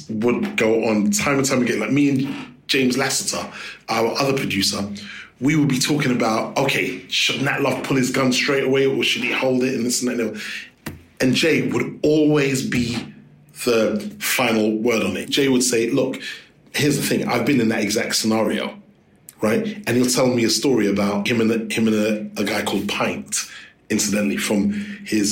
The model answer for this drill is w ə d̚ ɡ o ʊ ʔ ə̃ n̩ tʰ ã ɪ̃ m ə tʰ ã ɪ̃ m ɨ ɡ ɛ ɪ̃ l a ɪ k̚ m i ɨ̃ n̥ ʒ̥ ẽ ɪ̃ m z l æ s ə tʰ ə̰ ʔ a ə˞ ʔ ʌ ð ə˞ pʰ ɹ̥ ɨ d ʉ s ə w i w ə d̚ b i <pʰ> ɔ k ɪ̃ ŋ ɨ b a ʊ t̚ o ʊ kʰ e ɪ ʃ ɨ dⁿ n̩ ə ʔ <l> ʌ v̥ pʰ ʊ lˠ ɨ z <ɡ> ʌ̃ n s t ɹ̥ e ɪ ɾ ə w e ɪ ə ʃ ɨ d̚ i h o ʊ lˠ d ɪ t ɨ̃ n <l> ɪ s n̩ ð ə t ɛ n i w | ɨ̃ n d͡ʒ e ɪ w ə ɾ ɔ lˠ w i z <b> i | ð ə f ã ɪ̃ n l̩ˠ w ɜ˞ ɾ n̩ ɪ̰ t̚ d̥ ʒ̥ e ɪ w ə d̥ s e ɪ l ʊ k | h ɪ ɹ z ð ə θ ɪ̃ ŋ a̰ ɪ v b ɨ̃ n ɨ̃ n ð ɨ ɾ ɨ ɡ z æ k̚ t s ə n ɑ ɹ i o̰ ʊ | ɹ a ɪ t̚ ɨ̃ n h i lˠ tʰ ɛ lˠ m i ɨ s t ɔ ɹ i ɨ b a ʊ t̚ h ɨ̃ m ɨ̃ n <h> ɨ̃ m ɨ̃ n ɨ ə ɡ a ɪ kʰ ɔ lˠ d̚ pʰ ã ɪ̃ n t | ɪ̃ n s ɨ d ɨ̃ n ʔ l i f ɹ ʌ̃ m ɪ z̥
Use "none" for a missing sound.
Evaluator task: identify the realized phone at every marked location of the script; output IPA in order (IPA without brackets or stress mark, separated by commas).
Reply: tʰ, l, ɡ, l, b, h